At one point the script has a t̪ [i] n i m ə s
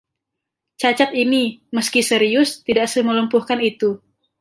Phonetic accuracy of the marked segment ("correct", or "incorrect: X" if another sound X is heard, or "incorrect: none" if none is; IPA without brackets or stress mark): correct